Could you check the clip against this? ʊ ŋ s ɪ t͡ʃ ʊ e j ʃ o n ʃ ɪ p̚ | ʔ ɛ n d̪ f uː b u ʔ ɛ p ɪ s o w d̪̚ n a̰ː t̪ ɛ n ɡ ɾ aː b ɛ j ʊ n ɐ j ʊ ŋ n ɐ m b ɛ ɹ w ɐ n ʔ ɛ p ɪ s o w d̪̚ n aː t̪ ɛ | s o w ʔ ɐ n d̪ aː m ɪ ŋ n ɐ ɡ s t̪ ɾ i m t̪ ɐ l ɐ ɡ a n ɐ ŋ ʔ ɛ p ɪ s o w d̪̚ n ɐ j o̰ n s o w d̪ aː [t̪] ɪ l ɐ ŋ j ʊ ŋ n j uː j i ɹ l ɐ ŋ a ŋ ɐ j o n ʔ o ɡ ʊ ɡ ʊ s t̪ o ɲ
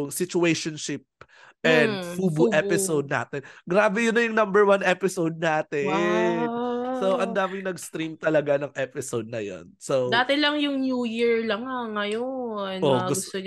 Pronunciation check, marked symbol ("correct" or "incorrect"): correct